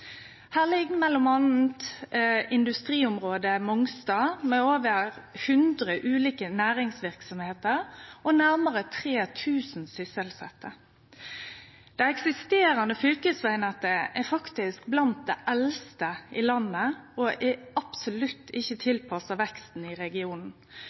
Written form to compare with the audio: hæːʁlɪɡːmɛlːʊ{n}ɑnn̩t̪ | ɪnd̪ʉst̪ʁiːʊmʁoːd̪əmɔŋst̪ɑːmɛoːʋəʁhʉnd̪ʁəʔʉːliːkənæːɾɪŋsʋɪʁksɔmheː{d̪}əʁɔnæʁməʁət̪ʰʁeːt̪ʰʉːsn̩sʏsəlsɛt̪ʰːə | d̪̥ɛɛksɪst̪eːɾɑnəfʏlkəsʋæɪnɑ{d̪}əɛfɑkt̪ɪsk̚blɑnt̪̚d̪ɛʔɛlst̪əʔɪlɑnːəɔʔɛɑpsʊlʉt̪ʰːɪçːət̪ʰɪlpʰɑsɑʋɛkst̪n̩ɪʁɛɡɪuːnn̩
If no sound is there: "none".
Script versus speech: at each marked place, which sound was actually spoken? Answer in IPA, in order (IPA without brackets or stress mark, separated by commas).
m, t̪, t̪